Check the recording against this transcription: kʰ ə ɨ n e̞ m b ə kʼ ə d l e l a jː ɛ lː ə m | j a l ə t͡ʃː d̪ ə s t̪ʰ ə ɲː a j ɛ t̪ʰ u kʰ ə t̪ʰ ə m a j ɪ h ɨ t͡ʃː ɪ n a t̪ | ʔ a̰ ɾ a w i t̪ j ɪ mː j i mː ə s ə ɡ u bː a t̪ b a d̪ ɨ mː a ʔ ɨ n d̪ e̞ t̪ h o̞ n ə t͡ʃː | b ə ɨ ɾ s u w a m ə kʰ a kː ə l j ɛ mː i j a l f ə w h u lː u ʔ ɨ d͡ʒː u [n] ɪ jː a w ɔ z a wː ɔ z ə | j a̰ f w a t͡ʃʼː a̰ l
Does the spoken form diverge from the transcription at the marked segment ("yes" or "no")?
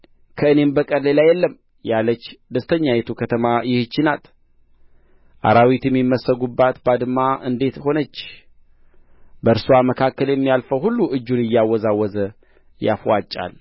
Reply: no